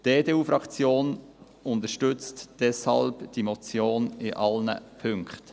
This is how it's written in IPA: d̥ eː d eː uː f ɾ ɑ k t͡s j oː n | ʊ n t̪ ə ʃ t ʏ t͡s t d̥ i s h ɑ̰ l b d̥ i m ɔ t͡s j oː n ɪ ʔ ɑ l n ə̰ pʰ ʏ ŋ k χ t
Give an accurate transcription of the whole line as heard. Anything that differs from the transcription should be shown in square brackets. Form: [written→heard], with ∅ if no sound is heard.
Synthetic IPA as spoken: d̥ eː d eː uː f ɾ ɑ k t͡s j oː n | ʊ n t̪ ə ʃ t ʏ t͡s t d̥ [i→ɛ] s h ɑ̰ l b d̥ i m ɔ t͡s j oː n ɪ ʔ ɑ l n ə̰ pʰ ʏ ŋ k χ t